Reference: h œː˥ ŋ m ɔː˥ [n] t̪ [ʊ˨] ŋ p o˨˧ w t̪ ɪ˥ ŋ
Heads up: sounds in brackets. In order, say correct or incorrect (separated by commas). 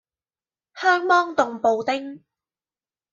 incorrect, correct